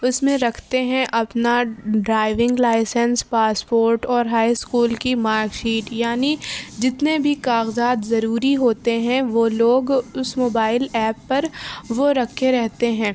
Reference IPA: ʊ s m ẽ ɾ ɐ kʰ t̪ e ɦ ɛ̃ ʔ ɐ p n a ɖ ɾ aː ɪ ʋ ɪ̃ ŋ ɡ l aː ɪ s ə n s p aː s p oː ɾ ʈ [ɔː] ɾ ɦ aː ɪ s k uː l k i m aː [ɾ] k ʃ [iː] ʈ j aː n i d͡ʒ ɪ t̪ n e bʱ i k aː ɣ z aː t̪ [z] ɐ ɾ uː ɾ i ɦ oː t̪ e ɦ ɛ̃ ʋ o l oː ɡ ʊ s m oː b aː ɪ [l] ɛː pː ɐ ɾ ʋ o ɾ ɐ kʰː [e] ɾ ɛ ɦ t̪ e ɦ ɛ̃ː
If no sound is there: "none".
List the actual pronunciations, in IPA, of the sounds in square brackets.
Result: ɔː, ɾ, iː, z, l, e

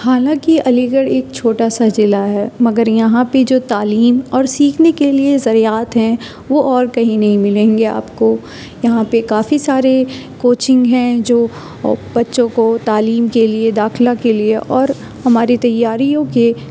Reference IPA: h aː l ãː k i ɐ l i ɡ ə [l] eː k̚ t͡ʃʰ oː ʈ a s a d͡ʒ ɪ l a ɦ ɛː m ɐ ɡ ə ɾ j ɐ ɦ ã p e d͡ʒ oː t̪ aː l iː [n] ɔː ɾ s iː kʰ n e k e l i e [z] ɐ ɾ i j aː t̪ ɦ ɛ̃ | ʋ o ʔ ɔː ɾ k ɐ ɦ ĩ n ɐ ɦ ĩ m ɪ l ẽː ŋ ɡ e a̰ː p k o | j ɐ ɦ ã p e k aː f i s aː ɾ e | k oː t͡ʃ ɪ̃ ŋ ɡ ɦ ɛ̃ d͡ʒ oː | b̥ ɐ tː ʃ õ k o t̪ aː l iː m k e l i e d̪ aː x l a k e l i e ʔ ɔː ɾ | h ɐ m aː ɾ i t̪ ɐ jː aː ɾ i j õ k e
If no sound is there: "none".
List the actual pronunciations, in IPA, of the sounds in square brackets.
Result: ɽ, m, z

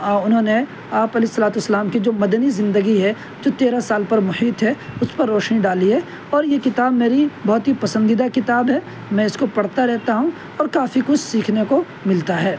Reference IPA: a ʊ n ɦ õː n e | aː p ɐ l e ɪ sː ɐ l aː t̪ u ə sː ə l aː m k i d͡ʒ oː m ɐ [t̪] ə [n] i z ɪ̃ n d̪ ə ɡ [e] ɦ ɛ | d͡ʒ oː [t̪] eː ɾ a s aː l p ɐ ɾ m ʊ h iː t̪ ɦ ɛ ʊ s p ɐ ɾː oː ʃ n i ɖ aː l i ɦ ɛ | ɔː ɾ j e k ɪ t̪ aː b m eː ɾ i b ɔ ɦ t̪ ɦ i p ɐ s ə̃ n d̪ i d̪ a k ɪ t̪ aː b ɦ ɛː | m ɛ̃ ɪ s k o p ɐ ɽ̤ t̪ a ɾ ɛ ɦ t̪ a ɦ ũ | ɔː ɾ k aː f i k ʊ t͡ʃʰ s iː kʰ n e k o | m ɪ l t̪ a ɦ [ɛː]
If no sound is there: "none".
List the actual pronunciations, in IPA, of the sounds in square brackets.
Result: d̪, n, i, t̪, ɛː

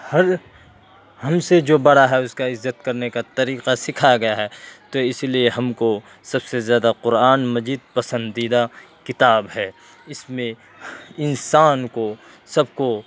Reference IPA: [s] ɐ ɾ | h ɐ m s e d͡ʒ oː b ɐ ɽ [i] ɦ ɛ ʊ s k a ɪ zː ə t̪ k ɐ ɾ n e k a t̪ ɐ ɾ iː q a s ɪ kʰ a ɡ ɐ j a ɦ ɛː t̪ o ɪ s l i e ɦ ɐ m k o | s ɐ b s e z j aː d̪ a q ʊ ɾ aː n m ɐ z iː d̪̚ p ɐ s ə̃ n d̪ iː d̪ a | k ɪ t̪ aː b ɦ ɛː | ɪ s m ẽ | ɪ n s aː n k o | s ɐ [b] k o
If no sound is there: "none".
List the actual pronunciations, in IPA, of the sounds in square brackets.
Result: h, a, b

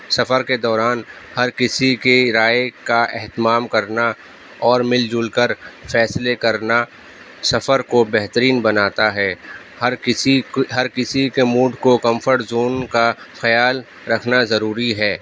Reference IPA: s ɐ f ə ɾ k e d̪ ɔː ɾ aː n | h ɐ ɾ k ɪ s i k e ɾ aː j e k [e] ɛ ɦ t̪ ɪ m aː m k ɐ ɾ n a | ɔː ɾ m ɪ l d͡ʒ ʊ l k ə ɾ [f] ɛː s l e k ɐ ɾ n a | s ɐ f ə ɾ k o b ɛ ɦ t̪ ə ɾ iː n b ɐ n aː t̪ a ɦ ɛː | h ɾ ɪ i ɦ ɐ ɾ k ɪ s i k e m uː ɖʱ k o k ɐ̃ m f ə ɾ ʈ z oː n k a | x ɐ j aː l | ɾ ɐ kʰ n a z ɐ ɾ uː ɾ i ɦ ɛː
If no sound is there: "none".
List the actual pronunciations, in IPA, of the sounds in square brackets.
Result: a, f

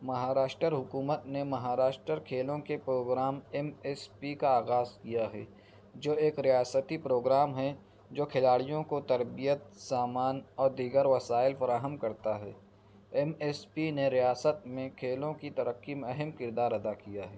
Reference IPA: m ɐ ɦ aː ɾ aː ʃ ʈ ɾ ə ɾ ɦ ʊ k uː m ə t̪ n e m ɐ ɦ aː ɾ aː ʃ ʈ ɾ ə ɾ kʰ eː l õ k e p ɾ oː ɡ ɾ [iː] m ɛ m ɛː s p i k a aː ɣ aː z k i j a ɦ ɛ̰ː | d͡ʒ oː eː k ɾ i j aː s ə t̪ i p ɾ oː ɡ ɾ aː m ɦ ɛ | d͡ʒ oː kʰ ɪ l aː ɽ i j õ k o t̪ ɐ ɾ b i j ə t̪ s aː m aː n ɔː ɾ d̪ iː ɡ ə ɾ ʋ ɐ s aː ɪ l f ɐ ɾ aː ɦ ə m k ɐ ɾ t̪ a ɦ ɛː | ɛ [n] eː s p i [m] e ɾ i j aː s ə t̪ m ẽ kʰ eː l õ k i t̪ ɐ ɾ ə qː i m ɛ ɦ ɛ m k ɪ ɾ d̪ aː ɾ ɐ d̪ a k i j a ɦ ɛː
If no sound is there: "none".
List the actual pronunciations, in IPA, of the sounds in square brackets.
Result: aː, m, n

